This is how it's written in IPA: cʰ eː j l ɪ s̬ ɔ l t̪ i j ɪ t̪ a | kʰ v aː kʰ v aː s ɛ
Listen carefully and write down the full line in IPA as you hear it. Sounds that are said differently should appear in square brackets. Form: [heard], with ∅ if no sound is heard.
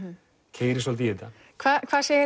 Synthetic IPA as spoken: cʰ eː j [ɾ] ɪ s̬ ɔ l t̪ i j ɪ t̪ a | kʰ v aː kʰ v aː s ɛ